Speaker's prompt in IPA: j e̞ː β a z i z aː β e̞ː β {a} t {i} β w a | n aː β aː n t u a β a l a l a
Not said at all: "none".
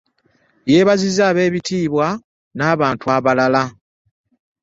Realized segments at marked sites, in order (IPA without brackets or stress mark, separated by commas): i, iː